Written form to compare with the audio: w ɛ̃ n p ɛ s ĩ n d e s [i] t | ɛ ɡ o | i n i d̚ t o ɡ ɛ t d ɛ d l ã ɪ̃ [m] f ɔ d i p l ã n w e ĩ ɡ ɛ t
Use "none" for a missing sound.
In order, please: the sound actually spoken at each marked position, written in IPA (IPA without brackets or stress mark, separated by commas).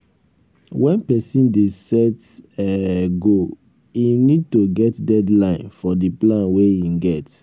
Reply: ɛ, n